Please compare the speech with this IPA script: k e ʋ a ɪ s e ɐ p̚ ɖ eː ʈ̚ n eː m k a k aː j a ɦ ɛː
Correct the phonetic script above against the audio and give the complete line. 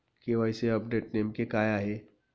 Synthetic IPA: k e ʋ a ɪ s e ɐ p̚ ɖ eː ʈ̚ n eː m k e k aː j a ɦ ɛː

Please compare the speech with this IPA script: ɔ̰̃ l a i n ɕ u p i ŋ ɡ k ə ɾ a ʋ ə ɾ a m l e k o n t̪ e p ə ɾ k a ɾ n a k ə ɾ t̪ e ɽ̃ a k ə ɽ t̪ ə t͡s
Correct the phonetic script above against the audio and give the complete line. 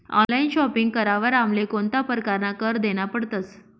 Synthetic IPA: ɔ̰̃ l a i n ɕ ɔ p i ŋ ɡ k ə ɾ a ʋ ə ɾ a m l e k o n t̪ a p ə ɾ k a ɾ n a k ə ɾ d̪ e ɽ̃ a p ə ɽ t̪ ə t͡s

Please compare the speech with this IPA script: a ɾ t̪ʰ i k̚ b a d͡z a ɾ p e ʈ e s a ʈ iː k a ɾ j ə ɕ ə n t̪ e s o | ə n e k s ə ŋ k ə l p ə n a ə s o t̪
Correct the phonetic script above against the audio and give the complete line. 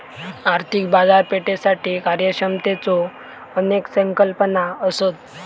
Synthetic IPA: a ɾ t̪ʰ i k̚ b a d͡z a ɾ p e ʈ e s a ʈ iː k a ɾ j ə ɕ ə m t̪ e t͡s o | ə n e k s ə ŋ k ə l p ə n a ə s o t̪

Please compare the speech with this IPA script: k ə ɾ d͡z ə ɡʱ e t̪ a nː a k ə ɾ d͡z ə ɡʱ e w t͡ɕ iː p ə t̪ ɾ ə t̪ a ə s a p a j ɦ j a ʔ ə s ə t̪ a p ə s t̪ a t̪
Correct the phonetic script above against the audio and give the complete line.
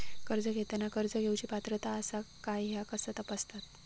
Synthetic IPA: k ə ɾ d͡z ə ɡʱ e t̪ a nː a k ə ɾ d͡z ə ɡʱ e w t͡ɕ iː p a t̪ ɾ ə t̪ a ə s a k a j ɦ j a k ə s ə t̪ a p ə s t̪ a t̪

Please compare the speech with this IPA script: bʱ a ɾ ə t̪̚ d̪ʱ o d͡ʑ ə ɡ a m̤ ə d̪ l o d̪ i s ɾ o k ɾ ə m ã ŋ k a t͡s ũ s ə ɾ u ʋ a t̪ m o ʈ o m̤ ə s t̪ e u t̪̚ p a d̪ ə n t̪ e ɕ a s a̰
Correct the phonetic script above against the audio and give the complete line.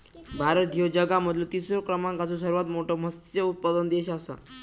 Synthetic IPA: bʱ a ɾ ə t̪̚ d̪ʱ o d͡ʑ ə ɡ a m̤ ə d̪ l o t̪ i s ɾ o k ɾ ə m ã ŋ k a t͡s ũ s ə ɾ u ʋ a t̪ m o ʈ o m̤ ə s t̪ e u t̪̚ p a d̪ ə n d̪ e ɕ a s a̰

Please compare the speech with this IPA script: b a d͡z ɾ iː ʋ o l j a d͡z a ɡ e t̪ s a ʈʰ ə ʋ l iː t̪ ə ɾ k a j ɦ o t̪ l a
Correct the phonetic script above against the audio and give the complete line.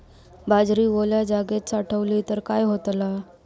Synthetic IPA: b a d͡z ɾ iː ʋ o l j a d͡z a ɡ e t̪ s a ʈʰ ə ʋ l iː t̪ ə ɾ k a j ɦ o t̪ l a

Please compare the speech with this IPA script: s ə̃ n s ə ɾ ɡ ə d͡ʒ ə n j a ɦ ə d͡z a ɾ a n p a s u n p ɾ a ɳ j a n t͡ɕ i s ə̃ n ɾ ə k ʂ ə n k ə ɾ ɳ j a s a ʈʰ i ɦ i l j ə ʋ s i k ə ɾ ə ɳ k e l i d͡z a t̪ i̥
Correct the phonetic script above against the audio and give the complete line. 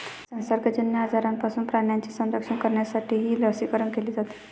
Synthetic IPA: s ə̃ n s ə ɾ ɡ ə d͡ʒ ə n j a ɦ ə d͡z a ɾ a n p a s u n p ɾ a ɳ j a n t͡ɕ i s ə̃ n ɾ ə k ʂ ə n k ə ɾ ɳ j a s a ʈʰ i ɦ i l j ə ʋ s i k ə ɾ ə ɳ k e l i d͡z a t̪ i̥

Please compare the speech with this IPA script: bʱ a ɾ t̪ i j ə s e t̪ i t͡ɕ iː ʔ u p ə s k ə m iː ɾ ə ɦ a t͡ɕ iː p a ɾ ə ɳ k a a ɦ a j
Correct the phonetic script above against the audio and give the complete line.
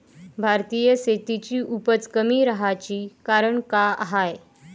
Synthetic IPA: bʱ a ɾ t̪ i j ə s e t̪ i t͡ɕ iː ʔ u p ə t͡s k ə m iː ɾ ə ɦ a t͡ɕ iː k a ɾ ə ɳ k a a ɦ a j

